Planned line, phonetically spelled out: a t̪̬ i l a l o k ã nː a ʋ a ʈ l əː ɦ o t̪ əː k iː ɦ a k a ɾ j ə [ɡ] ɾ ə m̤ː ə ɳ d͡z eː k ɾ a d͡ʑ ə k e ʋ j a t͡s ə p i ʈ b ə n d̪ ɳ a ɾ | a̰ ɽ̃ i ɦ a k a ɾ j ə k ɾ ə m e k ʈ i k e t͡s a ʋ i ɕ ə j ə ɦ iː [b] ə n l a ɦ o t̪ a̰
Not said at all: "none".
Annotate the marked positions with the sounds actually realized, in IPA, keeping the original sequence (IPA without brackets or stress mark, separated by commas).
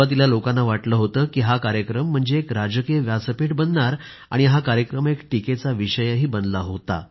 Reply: k, b